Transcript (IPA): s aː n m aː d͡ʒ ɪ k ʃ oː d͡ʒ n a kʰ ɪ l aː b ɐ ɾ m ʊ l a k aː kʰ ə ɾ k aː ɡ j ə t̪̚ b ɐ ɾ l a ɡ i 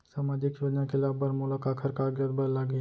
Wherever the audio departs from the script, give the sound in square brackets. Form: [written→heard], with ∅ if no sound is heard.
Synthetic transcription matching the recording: s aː [n→∅] m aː d͡ʒ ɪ k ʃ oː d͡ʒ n a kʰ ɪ l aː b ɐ ɾ m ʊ l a k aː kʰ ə ɾ k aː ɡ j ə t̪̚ b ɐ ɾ l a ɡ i